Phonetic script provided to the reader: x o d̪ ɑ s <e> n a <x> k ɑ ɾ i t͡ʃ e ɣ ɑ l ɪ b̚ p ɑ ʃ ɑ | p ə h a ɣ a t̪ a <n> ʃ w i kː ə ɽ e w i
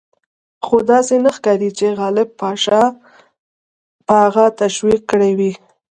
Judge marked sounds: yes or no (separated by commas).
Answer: yes, yes, no